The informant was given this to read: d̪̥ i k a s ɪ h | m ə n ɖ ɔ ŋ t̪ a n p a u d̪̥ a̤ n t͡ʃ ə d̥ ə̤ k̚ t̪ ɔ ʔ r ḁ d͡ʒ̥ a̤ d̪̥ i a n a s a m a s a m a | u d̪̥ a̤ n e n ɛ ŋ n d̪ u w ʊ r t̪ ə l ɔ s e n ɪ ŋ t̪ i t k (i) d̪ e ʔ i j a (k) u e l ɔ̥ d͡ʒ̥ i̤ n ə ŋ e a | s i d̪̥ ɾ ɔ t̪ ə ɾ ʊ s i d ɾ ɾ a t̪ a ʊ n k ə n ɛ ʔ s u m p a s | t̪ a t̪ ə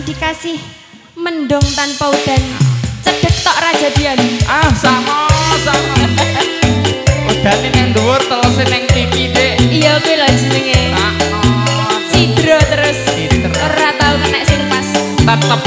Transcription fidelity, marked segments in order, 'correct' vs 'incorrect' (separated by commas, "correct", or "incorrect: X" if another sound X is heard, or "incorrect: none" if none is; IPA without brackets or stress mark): correct, correct